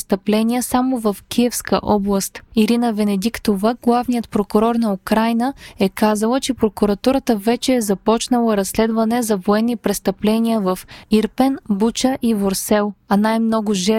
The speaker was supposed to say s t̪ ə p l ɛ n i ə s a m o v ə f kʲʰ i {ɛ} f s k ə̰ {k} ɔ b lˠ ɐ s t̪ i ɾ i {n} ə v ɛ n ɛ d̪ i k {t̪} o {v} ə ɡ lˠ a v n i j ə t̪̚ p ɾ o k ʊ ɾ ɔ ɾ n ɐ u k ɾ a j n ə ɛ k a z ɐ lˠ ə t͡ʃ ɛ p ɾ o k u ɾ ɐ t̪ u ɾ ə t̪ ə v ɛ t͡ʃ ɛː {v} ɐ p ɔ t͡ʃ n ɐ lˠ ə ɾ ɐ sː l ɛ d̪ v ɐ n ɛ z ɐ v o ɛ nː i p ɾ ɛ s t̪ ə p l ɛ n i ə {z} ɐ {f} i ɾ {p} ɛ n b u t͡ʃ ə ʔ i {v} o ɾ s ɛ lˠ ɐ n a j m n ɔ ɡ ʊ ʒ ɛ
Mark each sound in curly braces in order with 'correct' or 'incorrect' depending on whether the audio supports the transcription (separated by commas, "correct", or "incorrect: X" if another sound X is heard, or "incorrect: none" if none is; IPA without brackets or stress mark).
correct, incorrect: ʔ, correct, correct, correct, incorrect: z, incorrect: v, correct, correct, correct